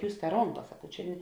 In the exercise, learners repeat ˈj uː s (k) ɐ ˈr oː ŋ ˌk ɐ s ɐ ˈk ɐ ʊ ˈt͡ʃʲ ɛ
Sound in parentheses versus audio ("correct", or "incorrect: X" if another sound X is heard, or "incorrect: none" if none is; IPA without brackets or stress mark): incorrect: t